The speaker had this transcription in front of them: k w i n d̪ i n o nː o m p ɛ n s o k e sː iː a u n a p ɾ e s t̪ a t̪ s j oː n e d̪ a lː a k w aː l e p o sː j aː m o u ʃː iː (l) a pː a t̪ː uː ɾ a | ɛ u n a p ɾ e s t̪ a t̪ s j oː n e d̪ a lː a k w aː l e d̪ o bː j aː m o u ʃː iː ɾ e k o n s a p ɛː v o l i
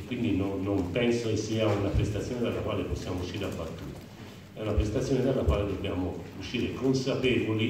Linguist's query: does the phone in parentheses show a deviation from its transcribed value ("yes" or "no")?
yes